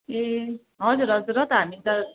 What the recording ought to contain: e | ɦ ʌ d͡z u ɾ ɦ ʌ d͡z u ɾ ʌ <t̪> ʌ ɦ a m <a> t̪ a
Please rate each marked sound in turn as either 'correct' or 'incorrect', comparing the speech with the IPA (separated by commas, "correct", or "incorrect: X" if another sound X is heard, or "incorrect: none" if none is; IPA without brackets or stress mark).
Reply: correct, incorrect: i